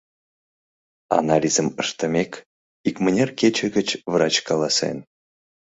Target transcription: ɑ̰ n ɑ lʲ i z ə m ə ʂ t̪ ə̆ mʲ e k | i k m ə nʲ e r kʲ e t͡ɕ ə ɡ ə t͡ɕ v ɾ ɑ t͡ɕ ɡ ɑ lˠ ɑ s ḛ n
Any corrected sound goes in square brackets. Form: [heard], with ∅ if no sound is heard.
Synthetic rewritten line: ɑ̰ n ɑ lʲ i z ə m ə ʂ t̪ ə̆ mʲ e k | i k m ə nʲ e r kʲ e t͡ɕ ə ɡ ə t͡ɕ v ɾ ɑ t͡ɕ [k] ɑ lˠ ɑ s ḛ n